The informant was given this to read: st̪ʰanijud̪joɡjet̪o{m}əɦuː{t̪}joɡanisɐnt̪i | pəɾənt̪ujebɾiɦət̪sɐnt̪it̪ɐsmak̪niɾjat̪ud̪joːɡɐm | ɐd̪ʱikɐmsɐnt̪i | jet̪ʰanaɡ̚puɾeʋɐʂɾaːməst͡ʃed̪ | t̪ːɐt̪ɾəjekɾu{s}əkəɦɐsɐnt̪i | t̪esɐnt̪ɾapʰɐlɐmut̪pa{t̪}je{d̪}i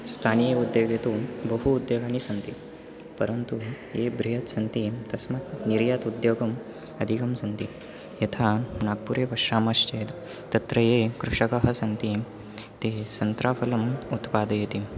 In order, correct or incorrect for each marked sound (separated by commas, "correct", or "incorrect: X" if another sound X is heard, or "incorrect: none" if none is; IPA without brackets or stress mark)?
incorrect: b, incorrect: d̪, incorrect: ʂ, incorrect: d̪, incorrect: t̪